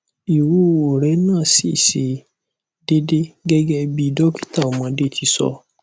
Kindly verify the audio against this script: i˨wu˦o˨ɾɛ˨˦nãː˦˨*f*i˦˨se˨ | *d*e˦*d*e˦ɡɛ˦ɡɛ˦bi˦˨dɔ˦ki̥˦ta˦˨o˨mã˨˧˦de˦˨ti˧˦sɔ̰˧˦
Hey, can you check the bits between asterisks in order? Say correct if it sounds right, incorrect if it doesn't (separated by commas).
incorrect, correct, correct